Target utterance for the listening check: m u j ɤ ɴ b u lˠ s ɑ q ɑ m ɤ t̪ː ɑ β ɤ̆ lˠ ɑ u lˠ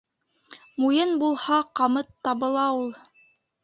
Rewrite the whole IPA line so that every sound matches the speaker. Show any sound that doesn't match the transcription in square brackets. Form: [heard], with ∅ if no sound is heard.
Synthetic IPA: m u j ɤ [n] b u lˠ [h] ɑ q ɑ m ɤ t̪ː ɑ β ɤ̆ lˠ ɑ u lˠ